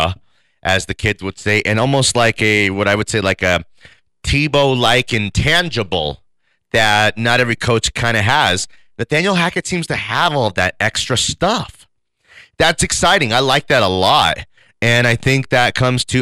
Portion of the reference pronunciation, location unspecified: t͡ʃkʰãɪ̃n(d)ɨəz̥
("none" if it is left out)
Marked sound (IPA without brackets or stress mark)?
d